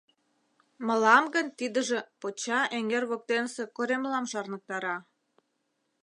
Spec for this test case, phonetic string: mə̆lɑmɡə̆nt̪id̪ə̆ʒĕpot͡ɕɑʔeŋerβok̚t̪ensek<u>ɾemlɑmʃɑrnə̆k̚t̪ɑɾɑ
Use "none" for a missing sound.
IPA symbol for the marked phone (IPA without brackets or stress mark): o